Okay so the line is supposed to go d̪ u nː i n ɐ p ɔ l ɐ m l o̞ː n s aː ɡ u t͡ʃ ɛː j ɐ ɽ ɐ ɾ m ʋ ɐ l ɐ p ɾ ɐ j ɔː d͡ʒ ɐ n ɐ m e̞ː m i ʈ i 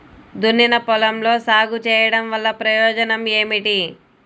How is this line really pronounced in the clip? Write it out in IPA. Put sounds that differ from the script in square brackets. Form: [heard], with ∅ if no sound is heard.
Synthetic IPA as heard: d̪ u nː i n ɐ p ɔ l ɐ m l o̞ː [∅] s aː ɡ u t͡ʃ ɛː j ɐ ɽ ɐ [∅] m ʋ ɐ [lː] ɐ p ɾ ɐ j ɔː d͡ʒ ɐ n ɐ m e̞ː m i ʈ i